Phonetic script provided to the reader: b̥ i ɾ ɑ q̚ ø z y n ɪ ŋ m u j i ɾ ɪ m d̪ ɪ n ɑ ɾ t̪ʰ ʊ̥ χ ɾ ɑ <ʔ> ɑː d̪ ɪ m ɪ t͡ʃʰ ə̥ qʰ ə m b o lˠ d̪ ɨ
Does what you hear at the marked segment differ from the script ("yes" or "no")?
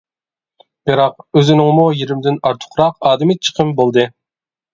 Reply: yes